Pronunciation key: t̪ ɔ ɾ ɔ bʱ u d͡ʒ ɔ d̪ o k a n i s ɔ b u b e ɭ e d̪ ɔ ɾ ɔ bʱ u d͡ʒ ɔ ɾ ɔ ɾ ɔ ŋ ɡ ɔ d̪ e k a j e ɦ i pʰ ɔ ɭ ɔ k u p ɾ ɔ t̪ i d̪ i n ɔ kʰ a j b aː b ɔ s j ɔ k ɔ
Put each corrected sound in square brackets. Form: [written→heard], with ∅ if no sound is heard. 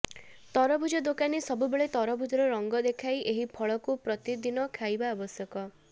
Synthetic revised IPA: t̪ ɔ ɾ ɔ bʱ u d͡ʒ ɔ d̪ o k a n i s ɔ b u b e ɭ e [d̪→t̪] ɔ ɾ ɔ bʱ u d͡ʒ ɔ ɾ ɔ ɾ ɔ ŋ ɡ ɔ d̪ e [k→kʰ] a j e ɦ i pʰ ɔ ɭ ɔ k u p ɾ ɔ t̪ i d̪ i n ɔ kʰ a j b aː b ɔ s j ɔ k ɔ